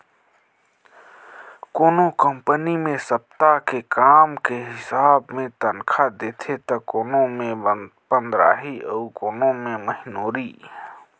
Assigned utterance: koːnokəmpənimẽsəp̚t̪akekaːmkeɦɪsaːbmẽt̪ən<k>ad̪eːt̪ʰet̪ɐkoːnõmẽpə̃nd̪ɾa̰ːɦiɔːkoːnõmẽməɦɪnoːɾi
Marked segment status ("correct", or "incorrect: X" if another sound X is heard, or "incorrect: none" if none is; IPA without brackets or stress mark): incorrect: kʰ